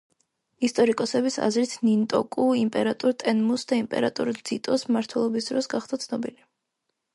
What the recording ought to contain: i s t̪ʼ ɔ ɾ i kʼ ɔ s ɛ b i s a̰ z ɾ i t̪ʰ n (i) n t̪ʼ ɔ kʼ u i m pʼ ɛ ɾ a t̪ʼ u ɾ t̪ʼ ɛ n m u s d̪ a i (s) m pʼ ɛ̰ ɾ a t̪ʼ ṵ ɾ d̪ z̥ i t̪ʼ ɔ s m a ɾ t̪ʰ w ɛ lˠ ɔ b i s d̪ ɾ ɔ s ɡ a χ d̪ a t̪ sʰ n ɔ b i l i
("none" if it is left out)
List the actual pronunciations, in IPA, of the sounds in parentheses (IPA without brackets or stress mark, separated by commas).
i, none